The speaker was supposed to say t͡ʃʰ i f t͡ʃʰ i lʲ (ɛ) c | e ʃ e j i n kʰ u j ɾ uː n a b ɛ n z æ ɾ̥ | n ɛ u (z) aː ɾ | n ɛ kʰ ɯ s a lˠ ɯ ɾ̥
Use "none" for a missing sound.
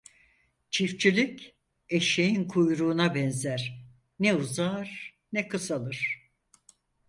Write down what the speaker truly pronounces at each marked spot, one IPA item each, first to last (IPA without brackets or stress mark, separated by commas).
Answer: i, z